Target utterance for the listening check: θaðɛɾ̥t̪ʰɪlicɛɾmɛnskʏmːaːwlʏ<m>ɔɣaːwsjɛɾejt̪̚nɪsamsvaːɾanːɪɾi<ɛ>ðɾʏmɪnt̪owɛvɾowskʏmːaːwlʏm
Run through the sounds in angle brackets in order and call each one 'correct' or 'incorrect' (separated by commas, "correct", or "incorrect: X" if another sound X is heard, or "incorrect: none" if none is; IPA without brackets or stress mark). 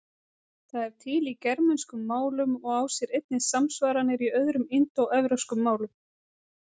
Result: correct, incorrect: œ